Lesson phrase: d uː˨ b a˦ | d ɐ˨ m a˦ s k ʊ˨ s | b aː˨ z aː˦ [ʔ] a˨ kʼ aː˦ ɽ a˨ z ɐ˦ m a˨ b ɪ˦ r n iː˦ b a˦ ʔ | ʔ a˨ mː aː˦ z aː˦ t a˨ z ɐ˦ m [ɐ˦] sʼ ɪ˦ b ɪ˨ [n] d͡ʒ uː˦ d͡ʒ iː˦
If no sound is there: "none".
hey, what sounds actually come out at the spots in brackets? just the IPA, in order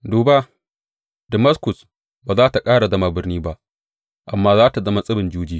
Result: t, a˦, n

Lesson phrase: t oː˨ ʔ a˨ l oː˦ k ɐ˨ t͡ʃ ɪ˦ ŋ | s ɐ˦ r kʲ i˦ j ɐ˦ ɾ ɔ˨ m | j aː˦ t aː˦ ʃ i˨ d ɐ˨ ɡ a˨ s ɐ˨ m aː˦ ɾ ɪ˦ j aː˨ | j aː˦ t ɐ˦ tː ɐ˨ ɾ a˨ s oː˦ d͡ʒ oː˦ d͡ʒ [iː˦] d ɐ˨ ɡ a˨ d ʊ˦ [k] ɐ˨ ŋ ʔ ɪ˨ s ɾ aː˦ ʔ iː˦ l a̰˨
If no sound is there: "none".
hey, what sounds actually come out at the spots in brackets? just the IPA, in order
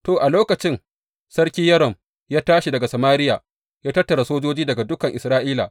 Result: iː˦, k

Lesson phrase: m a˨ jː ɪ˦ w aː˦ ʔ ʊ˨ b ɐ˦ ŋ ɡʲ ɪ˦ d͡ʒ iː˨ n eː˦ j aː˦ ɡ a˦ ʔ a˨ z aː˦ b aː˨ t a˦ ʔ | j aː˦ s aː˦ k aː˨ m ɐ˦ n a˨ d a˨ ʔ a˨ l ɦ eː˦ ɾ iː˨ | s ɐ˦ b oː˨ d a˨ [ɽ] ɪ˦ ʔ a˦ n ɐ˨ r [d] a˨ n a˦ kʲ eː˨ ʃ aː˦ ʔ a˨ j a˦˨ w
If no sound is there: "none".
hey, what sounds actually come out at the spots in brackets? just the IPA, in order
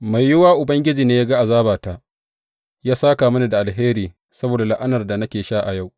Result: l, d

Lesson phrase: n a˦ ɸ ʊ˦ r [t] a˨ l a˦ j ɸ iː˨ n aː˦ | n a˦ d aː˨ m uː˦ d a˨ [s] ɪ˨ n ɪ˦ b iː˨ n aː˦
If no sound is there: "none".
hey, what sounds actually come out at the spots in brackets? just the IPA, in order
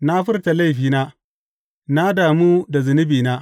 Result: t, z

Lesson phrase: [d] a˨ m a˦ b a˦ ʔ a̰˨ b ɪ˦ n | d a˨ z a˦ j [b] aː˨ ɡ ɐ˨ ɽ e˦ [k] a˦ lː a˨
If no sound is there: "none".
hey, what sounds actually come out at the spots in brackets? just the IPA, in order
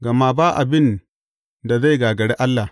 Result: ɡ, ɡ, ʔ

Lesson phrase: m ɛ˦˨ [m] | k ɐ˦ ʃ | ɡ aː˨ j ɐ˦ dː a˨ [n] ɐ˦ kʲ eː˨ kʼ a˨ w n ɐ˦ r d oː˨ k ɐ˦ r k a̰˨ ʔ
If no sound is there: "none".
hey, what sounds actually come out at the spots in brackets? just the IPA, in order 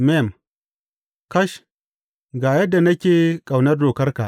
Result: m, n

